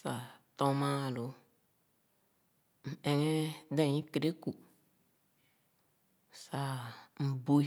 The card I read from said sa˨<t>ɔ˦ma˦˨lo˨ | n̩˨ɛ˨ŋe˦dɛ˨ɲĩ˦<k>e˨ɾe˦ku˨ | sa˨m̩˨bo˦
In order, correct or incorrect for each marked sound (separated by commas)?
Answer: correct, correct